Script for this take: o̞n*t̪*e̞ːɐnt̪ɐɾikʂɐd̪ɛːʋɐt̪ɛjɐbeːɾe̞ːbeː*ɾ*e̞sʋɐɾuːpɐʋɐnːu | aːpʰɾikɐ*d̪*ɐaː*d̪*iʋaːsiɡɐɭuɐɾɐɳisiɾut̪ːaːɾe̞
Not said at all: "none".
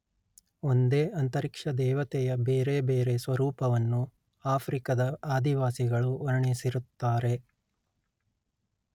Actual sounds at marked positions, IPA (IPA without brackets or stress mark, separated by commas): d̪, ɾ, d̪, d̪